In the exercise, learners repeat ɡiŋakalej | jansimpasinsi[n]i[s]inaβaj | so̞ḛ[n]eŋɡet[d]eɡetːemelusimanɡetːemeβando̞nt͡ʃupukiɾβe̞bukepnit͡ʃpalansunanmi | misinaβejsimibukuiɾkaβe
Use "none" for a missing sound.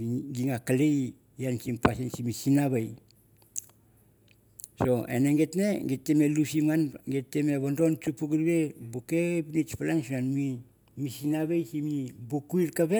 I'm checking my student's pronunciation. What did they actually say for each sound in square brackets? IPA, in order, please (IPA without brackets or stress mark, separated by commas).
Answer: m, s, n, n